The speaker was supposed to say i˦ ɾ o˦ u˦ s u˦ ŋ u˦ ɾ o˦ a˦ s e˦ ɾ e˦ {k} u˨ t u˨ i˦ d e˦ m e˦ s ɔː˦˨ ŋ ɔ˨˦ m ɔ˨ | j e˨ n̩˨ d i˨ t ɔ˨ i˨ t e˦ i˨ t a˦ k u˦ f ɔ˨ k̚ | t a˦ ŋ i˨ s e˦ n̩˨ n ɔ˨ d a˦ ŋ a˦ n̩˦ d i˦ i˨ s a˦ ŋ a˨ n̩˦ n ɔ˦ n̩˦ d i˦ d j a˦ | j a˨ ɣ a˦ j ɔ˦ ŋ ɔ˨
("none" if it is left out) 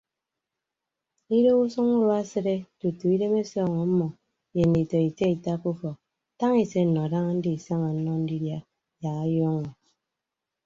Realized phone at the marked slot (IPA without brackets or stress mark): t